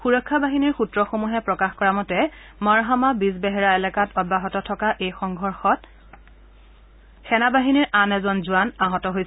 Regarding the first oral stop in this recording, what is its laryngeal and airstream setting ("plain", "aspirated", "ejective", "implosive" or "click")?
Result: aspirated